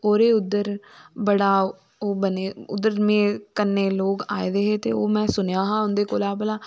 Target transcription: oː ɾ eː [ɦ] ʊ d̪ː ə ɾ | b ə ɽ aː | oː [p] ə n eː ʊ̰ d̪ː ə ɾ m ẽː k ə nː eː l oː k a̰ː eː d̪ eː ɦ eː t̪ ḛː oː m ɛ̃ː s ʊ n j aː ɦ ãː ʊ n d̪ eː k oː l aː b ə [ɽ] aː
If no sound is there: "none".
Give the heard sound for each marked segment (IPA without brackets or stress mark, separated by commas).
none, b, l